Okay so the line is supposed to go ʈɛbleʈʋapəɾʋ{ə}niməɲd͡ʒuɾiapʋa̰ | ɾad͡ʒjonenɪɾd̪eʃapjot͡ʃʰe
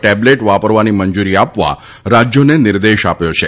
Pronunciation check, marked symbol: incorrect: a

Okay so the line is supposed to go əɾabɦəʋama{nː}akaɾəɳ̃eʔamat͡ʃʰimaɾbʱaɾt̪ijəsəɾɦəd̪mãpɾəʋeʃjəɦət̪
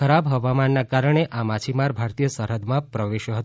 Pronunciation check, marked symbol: correct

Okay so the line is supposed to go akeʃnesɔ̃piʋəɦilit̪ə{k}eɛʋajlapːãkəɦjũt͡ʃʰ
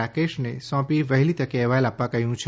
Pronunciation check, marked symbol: correct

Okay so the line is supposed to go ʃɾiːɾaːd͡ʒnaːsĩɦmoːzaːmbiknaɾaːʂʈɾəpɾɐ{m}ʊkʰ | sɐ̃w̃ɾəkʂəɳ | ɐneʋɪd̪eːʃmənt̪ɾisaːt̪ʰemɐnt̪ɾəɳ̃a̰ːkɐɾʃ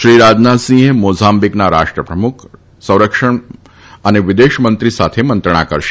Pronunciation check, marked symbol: correct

